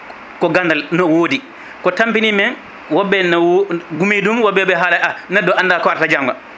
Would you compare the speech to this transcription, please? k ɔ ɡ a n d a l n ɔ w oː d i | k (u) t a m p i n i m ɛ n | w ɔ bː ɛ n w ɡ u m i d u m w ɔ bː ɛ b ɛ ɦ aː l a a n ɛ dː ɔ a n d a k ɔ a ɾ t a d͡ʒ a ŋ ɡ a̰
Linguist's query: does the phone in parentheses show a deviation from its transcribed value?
yes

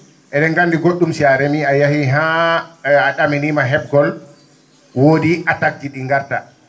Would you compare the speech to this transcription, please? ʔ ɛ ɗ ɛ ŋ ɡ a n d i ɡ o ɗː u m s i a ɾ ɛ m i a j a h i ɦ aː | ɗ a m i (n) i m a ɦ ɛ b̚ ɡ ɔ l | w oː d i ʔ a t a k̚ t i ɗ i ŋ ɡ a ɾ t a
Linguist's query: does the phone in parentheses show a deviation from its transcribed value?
no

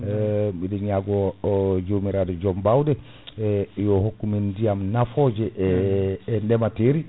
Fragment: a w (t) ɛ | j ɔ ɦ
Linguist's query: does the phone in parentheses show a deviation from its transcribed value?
yes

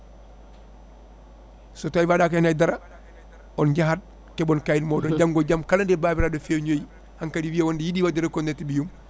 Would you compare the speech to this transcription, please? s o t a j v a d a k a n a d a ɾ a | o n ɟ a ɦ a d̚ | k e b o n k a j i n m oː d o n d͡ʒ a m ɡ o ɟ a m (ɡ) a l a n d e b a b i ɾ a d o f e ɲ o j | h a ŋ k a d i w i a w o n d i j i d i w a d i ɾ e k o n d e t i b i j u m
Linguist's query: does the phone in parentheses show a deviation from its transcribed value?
yes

